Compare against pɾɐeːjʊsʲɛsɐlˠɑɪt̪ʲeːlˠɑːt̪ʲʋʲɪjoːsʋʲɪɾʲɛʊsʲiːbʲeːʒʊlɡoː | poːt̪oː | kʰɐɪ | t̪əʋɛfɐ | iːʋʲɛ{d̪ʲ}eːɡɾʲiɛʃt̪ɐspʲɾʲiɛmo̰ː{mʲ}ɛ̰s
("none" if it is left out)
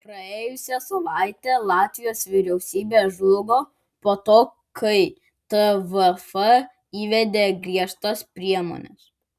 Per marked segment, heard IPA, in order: d̪ʲ, nʲ

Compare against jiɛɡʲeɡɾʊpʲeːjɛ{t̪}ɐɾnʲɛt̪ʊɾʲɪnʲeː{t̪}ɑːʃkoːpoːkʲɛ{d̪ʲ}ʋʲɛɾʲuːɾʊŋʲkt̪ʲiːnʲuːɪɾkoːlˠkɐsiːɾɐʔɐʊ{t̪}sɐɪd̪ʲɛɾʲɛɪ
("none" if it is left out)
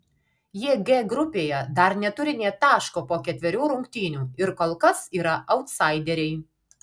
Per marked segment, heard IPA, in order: d̪, t̪, t̪ʲ, t̪

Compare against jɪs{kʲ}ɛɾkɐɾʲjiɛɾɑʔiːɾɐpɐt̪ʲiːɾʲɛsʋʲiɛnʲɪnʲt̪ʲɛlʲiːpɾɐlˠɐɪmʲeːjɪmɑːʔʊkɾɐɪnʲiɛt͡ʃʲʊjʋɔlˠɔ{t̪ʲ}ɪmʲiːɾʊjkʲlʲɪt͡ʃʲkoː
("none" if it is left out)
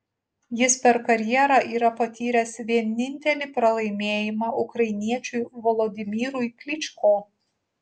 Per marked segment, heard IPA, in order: pʲ, d̪ʲ

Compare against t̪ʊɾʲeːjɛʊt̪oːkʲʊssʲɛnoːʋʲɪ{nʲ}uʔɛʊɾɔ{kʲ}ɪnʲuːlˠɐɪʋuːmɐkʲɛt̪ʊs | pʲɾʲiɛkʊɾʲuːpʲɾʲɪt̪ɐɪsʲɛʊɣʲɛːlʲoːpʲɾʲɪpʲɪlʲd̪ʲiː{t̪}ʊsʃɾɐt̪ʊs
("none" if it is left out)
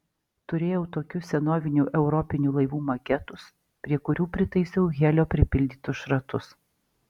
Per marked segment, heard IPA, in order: nʲ, pʲ, t̪

